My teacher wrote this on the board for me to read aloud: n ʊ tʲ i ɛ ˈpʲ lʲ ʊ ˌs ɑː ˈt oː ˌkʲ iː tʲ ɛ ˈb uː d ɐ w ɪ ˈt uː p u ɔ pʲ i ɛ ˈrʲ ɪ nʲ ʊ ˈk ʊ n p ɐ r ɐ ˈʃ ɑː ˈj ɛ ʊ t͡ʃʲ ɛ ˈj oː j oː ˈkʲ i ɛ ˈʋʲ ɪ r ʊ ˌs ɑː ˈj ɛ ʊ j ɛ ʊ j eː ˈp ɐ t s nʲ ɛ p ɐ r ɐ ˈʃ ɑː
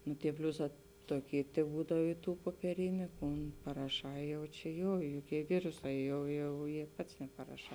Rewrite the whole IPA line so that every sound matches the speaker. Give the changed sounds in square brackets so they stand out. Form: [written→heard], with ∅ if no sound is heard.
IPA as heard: n ʊ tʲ i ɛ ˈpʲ lʲ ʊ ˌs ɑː ˈt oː ˌkʲ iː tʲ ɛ ˈb uː d ɐ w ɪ ˈt uː p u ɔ pʲ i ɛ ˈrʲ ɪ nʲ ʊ ˈk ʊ n p ɐ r ɐ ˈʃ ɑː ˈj ɛ ʊ t͡ʃʲ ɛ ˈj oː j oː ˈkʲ i ɛ ˈʋʲ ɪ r ʊ ˌs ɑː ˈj ɛ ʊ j ɛ ʊ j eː ˈp ɐ t s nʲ ɛ p ɐ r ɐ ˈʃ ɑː